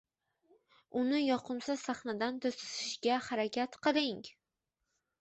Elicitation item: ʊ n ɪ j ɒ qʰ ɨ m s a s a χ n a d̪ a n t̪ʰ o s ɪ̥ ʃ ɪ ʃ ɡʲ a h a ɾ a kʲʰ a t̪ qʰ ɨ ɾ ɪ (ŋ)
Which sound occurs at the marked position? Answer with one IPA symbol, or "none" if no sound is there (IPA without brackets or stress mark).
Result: ŋ